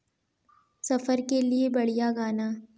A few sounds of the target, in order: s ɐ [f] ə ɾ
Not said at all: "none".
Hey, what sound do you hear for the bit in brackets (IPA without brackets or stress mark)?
f